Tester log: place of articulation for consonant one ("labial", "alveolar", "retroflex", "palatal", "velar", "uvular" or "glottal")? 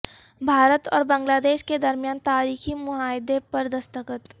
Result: labial